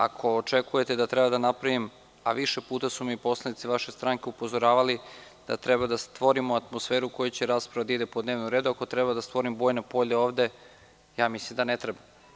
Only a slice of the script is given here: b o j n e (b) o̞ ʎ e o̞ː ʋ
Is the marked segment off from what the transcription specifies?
yes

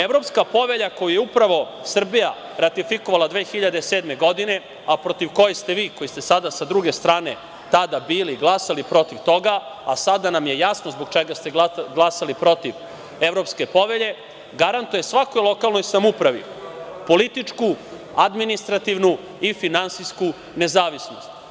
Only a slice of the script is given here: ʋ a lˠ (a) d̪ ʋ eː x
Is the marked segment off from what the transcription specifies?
no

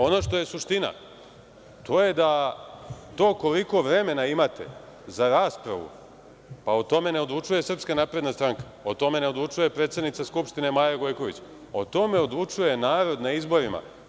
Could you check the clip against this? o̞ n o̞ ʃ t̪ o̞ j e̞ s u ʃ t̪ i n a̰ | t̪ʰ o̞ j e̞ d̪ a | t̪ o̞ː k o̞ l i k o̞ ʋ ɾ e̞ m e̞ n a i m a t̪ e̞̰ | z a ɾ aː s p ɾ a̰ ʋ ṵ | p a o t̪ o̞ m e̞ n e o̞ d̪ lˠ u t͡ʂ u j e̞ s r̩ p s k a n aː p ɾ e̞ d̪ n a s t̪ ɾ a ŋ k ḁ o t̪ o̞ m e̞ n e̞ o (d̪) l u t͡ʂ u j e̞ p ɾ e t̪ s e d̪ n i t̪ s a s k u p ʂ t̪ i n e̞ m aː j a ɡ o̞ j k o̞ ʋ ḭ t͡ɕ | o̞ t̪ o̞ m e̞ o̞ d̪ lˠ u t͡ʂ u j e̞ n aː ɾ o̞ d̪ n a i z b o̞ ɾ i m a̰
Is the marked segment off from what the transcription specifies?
no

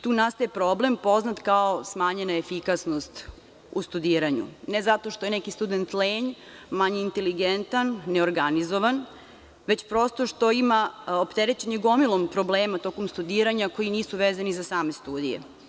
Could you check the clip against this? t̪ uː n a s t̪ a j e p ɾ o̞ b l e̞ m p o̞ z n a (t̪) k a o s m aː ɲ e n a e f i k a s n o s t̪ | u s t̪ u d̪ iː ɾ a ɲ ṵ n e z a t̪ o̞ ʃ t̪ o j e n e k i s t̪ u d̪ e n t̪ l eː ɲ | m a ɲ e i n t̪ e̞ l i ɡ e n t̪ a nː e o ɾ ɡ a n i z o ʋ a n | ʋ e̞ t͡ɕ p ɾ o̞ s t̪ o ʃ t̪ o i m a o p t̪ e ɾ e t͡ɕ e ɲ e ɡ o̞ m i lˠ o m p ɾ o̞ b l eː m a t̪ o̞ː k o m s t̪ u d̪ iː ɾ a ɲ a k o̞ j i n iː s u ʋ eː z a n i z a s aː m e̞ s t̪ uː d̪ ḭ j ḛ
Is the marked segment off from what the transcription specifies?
no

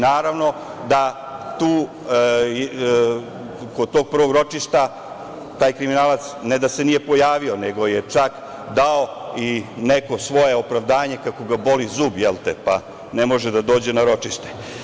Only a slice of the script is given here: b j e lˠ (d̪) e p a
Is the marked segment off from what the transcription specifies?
yes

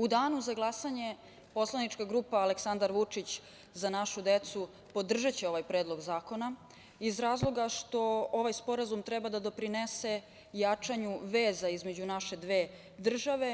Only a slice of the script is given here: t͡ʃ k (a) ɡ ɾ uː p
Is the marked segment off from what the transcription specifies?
no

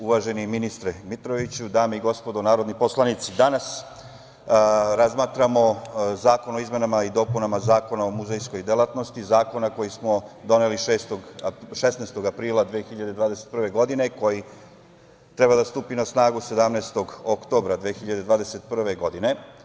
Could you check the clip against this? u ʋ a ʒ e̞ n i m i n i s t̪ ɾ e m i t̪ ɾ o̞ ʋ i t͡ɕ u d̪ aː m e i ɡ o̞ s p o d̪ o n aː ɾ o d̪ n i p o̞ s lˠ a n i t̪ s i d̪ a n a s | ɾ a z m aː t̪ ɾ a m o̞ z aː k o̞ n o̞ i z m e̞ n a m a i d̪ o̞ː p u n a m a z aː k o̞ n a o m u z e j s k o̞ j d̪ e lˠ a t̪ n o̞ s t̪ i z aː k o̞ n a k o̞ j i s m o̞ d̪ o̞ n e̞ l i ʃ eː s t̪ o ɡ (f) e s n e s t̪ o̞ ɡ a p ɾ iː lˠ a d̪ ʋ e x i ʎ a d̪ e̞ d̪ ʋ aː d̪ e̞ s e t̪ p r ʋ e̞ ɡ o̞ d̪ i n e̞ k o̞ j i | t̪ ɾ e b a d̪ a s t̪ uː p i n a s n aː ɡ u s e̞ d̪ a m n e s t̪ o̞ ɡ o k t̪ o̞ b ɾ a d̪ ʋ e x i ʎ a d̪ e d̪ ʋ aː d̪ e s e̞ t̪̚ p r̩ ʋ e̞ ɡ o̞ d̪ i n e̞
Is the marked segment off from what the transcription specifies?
yes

